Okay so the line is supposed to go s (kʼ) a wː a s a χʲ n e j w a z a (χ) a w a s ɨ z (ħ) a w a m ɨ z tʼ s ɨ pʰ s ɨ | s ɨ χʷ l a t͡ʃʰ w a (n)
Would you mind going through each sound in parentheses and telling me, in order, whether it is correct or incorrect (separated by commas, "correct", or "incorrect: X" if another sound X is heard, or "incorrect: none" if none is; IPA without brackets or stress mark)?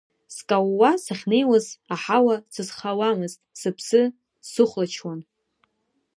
correct, incorrect: ħ, incorrect: χ, correct